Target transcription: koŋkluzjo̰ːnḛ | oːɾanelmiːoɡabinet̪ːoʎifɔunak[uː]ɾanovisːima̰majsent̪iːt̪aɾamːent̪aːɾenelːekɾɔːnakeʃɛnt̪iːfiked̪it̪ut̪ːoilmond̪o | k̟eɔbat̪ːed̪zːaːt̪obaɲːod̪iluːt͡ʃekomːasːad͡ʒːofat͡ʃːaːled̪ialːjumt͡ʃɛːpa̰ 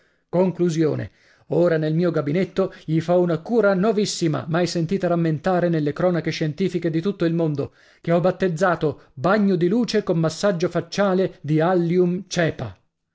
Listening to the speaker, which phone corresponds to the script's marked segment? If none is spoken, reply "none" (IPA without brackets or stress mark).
uː